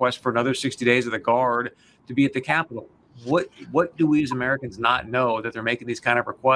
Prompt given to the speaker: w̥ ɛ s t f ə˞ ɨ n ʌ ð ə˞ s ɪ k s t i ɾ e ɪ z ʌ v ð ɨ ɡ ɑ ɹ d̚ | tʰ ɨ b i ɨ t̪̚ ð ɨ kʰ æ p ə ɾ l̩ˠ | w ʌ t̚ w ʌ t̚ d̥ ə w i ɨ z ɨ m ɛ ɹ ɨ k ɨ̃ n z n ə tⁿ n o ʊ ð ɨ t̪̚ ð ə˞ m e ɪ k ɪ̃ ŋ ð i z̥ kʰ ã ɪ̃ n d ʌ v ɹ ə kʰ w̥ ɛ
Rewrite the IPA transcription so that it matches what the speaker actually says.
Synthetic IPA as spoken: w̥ ɛ s t f ə˞ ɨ n ʌ ð ə˞ s ɪ k s t i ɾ e ɪ z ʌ v ð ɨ ɡ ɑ ɹ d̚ | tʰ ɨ b i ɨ t̪̚ ð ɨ kʰ æ p ə ɾ l̩ˠ | w ʌ t̚ w ʌ t̚ d̥ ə w i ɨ z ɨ m ɛ ɹ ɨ k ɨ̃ n z n ə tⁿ n o ʊ ð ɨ t̪̚ ð ə˞ m e ɪ k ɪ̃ ŋ ð i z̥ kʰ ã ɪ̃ n d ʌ v ɹ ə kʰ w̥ ɛ